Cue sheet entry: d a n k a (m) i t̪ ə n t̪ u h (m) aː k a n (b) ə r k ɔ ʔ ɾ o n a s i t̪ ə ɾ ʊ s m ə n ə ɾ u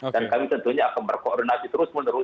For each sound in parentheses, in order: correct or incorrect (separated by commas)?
correct, incorrect, correct